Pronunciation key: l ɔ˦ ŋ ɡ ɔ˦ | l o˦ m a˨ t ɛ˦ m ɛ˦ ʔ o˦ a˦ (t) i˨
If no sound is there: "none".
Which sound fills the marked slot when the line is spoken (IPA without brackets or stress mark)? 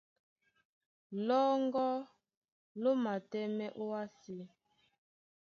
s